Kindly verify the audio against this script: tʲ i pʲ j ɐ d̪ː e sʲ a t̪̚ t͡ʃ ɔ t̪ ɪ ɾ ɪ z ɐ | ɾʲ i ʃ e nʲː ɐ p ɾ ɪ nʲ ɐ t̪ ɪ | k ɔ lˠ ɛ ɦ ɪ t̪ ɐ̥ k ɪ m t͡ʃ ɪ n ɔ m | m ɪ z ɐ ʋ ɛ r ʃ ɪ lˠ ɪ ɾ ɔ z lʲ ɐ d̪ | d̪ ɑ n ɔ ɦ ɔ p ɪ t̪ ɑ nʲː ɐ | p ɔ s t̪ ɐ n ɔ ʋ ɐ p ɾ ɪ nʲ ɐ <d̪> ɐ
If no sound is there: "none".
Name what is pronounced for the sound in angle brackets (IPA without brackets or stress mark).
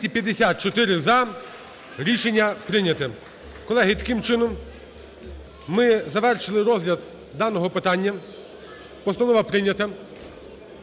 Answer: t̪